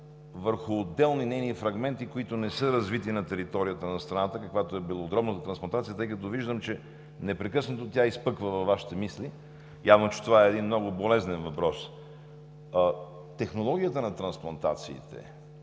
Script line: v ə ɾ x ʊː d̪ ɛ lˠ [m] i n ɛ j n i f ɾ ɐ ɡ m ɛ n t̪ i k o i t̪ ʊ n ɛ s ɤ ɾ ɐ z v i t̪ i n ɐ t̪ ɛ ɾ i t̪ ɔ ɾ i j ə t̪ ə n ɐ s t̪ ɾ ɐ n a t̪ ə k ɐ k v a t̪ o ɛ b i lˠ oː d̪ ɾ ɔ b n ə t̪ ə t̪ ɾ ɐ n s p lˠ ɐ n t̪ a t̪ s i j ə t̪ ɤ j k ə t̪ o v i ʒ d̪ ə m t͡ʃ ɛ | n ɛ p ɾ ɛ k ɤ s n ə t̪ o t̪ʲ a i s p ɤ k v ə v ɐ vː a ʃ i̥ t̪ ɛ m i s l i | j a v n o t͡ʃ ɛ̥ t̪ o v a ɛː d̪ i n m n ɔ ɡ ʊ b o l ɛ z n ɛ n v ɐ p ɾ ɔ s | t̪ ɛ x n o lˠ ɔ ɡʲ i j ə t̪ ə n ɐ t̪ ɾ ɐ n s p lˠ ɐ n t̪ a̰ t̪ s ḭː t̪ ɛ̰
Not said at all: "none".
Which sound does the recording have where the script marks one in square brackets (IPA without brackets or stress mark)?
n